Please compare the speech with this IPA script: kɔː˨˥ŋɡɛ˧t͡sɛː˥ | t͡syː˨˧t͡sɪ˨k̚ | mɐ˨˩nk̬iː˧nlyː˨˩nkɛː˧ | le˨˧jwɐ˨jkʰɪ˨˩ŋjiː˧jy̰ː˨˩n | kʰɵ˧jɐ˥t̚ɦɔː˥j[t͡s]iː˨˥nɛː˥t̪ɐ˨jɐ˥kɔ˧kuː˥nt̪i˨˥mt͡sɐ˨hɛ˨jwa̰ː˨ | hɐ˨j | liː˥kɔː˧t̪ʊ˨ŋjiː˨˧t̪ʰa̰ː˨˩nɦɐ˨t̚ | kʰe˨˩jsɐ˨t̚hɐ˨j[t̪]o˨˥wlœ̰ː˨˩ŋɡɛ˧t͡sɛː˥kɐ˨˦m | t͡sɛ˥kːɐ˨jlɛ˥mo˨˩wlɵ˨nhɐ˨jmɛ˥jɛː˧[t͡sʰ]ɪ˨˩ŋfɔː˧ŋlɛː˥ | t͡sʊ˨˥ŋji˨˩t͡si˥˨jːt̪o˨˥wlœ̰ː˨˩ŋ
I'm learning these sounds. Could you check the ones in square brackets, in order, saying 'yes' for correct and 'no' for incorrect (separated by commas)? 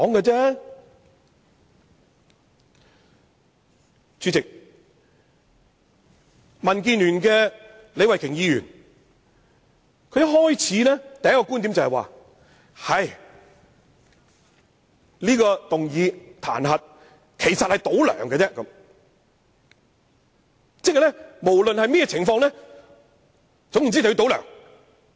no, yes, yes